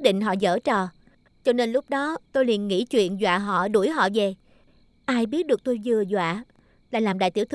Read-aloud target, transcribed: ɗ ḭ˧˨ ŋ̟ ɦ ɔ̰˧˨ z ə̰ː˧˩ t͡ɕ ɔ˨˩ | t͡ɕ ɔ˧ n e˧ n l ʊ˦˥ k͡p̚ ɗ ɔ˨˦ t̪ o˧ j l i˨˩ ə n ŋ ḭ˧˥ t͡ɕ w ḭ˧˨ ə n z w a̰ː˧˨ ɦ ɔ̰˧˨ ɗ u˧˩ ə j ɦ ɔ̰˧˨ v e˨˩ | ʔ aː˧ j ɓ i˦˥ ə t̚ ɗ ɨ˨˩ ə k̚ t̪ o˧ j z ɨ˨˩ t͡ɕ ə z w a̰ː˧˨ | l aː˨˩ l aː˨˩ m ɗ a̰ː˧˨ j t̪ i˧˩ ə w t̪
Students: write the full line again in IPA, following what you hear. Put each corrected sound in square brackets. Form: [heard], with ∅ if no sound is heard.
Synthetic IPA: ɗ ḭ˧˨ ŋ̟ ɦ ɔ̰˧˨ z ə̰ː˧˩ t͡ɕ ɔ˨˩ | t͡ɕ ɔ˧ n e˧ n l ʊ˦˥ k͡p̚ ɗ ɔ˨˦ t̪ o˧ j l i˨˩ ə n ŋ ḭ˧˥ t͡ɕ w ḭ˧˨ ə n z w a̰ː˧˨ ɦ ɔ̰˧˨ ɗ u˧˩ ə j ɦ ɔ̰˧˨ v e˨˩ | ʔ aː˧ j ɓ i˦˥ ə t̚ ɗ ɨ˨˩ ə k̚ t̪ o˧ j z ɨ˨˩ [∅] ə z w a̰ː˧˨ | l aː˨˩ l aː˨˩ m ɗ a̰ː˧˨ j t̪ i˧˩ ə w t̪